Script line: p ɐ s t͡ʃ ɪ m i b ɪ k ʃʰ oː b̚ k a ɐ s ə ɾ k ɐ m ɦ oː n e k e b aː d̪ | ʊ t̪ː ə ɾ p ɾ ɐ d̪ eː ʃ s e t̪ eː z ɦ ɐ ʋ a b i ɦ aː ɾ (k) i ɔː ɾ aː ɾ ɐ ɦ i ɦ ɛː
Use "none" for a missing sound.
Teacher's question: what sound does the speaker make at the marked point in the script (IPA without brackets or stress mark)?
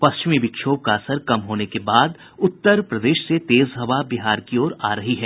k